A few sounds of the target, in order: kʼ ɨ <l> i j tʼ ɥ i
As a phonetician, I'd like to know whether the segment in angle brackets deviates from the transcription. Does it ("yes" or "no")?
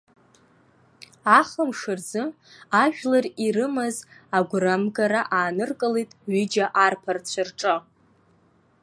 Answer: no